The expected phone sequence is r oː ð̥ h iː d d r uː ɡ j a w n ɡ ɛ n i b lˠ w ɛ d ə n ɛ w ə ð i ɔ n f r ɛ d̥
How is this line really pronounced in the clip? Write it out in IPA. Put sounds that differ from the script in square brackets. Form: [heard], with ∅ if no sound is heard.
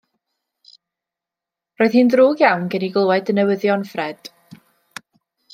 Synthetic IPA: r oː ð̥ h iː [n] d r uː ɡ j a w n ɡ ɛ n i [ɡ] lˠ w ɛ d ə n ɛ w ə ð [j] ɔ n f r ɛ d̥